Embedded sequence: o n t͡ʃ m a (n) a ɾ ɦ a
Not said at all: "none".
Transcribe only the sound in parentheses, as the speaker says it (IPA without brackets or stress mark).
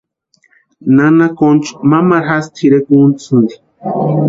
m